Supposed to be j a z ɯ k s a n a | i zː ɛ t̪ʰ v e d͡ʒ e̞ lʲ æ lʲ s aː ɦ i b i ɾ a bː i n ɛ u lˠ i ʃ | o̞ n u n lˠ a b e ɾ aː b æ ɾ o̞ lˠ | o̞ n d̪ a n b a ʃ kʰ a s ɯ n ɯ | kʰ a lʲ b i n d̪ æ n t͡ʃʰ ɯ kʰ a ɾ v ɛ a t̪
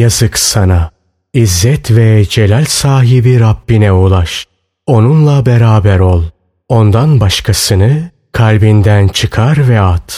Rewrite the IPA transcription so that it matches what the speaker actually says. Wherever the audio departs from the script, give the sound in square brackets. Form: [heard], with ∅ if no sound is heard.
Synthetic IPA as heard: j a z ɯ k s a n a | i zː ɛ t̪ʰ v [ɛ] d͡ʒ e̞ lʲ æ lʲ s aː ɦ i b i ɾ a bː i n ɛ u lˠ [a] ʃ | o̞ n u n lˠ a b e ɾ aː b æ ɾ o̞ lˠ | o̞ n d̪ a n b a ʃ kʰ a s ɯ n ɯ | kʰ a lʲ b i n d̪ æ n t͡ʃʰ ɯ kʰ a ɾ v ɛ a t̪